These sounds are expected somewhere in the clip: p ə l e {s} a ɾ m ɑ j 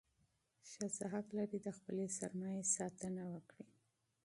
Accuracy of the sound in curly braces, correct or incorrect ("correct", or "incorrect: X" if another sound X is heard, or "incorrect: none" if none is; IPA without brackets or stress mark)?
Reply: correct